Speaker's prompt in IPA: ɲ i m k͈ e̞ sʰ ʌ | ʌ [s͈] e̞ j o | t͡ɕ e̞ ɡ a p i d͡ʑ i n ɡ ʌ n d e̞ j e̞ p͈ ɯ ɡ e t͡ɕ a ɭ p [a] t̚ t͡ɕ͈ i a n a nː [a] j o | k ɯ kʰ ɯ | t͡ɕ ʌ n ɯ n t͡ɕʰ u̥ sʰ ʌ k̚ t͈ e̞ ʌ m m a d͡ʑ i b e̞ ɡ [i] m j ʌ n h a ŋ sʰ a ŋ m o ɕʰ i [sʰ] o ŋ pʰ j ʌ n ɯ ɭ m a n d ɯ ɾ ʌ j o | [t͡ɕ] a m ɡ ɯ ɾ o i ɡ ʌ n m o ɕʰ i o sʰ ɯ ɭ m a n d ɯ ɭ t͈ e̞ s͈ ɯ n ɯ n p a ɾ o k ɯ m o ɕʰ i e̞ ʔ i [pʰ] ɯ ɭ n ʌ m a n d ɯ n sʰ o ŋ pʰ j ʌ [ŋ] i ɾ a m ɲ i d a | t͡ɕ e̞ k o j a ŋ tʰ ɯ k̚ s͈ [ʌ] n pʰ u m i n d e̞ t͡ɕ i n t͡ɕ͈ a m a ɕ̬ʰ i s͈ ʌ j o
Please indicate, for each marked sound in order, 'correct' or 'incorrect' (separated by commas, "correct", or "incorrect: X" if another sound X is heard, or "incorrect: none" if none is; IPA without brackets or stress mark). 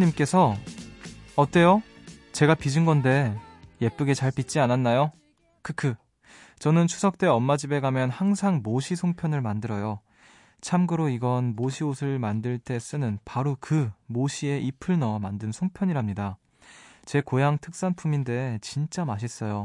incorrect: t͈, incorrect: i, correct, incorrect: a, correct, incorrect: t͡ɕʰ, correct, incorrect: ɲ, incorrect: a